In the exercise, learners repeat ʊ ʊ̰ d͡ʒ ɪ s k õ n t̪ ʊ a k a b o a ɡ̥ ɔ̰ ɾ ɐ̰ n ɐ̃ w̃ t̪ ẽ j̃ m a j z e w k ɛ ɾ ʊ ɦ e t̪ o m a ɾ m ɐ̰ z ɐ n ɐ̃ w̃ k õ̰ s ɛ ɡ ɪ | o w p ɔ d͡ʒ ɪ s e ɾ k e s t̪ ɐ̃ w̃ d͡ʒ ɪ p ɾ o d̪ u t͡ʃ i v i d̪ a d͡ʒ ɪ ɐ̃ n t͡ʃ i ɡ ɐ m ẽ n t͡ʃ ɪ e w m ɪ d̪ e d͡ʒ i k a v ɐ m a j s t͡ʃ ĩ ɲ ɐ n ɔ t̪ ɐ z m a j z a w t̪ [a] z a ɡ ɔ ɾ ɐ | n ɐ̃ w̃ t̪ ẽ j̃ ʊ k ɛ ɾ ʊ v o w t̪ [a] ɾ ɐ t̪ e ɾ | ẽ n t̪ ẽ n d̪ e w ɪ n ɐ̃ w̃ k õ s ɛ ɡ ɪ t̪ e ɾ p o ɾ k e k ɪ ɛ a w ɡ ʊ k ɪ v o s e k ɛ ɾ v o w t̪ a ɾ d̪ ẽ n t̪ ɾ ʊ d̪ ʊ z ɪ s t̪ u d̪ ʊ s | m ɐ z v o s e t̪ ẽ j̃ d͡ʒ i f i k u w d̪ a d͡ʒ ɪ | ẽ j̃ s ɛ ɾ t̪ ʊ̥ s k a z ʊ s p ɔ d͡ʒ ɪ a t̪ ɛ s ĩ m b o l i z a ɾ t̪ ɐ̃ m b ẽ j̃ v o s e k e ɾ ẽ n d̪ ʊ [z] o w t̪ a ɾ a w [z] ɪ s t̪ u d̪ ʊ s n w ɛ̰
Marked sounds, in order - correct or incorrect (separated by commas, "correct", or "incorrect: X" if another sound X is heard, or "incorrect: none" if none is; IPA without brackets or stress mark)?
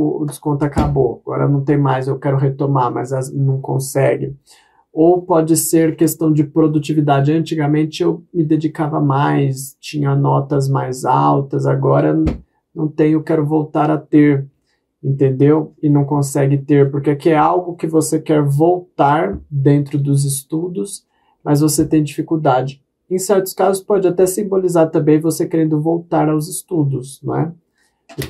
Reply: incorrect: ɐ, correct, incorrect: v, correct